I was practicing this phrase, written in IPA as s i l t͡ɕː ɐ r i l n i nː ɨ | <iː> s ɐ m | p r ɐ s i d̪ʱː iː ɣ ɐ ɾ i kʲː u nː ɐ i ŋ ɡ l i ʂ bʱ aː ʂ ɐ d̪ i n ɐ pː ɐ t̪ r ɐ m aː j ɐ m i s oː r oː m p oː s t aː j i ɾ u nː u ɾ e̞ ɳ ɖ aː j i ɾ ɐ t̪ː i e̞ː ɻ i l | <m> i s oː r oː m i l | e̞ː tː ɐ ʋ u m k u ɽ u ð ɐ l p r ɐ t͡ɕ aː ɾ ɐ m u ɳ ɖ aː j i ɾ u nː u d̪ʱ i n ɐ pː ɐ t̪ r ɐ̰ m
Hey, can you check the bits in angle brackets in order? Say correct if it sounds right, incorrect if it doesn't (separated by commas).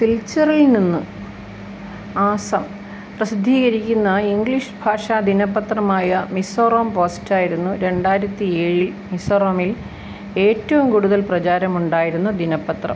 incorrect, correct